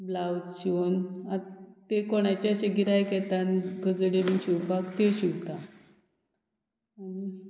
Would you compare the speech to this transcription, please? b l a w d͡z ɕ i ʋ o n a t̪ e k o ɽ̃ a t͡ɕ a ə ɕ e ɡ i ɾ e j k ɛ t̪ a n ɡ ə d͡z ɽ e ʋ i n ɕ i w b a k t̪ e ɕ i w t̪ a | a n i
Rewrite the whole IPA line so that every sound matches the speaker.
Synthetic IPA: b l a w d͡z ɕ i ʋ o n a t̪ e k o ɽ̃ a t͡ɕ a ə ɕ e ɡ i ɾ a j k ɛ t̪ a n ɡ ə d͡z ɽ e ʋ i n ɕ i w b a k t̪ e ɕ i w t̪ a | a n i